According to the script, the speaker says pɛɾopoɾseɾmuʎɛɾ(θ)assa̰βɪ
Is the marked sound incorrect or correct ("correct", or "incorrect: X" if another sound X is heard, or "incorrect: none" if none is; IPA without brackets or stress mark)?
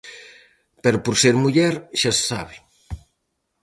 incorrect: ʃ